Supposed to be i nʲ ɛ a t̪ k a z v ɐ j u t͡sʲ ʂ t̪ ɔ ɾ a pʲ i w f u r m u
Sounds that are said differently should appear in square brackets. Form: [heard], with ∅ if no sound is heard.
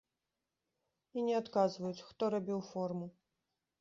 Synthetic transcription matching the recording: i nʲ ɛ a t̪ k a z v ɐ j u t͡sʲ [x] t̪ ɔ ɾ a [bʲ] i w f [ɔ] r m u